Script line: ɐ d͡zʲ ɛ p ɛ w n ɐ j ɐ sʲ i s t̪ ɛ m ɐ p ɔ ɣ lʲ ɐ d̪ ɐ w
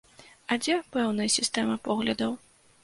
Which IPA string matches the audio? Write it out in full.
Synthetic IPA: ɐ d͡zʲ ɛ p ɛ w n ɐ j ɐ sʲ i s t̪ ɛ m ɐ p ɔ ɣ lʲ ɐ d̪ ɐ w